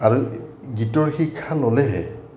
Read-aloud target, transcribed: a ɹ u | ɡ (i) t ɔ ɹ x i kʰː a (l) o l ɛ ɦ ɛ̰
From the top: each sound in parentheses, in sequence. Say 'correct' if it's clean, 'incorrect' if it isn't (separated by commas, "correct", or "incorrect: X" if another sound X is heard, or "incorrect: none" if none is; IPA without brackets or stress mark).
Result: correct, correct